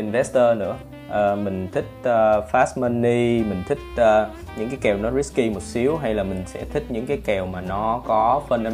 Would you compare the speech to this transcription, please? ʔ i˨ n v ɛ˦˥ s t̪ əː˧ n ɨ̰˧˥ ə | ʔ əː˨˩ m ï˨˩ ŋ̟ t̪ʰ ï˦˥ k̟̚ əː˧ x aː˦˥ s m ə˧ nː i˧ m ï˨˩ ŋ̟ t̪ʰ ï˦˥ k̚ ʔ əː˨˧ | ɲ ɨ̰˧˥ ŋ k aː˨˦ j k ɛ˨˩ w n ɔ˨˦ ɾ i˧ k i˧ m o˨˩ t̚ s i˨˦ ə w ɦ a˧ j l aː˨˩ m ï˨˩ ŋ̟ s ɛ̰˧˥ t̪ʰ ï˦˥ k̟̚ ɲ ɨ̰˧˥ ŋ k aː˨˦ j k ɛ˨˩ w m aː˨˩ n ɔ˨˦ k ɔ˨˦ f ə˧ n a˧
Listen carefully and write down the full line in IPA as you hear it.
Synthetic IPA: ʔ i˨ n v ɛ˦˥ s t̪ əː˧ n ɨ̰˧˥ ə | ʔ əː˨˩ m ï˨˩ ŋ̟ t̪ʰ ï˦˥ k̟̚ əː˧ f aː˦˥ s m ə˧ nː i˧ m ï˨˩ ŋ̟ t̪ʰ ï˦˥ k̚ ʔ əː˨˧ | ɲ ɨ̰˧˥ ŋ k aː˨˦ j k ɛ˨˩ w n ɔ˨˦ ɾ i˦˥ k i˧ m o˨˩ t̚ s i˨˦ ə w ɦ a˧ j l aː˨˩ m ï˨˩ ŋ̟ s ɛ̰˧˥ t̪ʰ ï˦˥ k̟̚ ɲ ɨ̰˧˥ ŋ k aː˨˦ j k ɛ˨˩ w m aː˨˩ n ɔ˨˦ k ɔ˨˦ f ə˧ n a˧